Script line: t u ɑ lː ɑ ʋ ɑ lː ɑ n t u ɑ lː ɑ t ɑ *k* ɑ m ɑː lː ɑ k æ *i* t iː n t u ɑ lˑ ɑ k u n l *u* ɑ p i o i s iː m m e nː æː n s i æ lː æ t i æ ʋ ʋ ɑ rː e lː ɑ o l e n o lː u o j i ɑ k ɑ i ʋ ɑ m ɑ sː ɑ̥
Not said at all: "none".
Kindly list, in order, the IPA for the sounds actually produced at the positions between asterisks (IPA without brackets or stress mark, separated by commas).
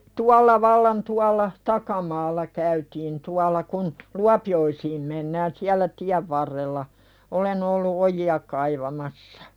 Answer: k, y, u